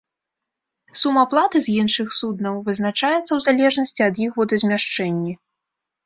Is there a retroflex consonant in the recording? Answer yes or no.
yes